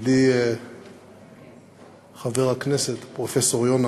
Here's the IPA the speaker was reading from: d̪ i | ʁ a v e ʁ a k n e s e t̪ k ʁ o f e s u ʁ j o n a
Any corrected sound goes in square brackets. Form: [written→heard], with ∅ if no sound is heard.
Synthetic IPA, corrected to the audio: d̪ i | [ʁ→χ] a v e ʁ a k n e s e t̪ [k→p] ʁ o f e s [u→o] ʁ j o n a